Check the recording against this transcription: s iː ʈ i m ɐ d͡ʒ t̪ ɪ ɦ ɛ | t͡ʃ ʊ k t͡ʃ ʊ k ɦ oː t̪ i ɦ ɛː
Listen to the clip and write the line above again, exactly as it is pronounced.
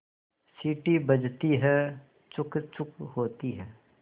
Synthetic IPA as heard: s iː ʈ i b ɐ d͡ʒ t̪ i ɦ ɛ | t͡ʃ ʊ k t͡ʃ ʊ k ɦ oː t̪ i ɦ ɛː